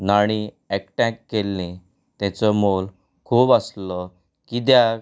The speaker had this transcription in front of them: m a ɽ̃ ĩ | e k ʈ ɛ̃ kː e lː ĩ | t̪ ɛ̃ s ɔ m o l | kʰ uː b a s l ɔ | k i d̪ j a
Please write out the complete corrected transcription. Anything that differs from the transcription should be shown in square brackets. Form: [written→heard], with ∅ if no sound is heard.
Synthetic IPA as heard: [m→n] a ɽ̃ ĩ | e k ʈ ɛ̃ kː e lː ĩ | t̪ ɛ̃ [s→t͡s] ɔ m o l | kʰ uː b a s l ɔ | k i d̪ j a